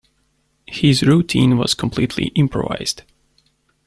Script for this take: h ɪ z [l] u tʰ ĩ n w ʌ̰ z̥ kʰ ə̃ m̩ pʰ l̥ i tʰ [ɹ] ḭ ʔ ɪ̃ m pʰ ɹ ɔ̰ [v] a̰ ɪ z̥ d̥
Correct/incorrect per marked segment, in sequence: incorrect, incorrect, correct

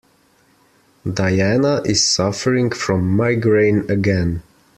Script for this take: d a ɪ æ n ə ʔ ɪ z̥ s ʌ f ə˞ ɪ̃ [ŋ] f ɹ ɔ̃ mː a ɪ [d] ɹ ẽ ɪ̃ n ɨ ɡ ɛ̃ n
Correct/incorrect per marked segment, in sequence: correct, incorrect

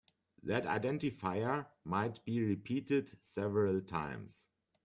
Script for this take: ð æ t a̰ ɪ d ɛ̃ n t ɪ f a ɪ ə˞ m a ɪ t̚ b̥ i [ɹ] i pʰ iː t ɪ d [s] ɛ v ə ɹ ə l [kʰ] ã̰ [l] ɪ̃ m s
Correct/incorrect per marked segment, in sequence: correct, correct, incorrect, incorrect

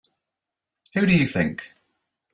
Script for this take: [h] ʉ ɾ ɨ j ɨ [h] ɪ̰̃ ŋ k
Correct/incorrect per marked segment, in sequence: correct, incorrect

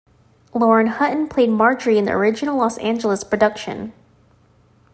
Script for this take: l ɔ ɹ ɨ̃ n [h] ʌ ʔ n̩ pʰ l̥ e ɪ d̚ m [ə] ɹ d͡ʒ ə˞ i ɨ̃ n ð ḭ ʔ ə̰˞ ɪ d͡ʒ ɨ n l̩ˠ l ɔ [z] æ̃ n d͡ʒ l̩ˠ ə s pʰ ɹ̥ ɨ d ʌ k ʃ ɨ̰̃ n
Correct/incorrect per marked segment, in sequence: correct, incorrect, incorrect

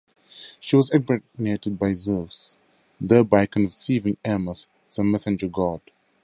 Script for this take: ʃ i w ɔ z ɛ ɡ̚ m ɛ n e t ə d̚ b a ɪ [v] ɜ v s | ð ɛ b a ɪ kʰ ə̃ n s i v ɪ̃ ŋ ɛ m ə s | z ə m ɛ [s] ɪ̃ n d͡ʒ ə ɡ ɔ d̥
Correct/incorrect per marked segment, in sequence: incorrect, correct

